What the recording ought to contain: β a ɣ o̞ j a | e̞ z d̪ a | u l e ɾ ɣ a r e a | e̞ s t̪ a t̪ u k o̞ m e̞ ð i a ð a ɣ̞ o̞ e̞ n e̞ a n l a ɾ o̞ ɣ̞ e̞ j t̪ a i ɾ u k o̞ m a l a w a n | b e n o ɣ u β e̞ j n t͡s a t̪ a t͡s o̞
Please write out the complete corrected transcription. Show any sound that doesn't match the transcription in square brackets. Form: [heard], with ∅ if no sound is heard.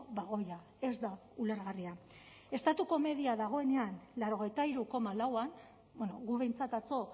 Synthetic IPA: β a ɣ o̞ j a | e̞ z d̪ a | u l e ɾ ɣ a r [i] a | e̞ s t̪ a t̪ u k o̞ m e̞ ð i a ð a ɣ̞ o̞ e̞ n e̞ a n l a ɾ o̞ ɣ̞ e̞ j t̪ a i ɾ u k o̞ m a l a w a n | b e n o ɣ u β e̞ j n t͡s a t̪ a t͡s o̞